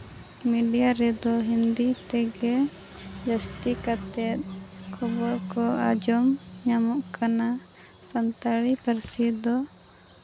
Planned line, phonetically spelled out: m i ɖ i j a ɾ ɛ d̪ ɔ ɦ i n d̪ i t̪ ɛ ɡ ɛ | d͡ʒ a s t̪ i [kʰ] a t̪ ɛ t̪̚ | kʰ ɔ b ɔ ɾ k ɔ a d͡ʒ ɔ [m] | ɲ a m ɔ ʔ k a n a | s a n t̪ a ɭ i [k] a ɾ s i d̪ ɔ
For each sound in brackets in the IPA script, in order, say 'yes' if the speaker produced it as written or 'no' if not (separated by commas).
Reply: no, yes, no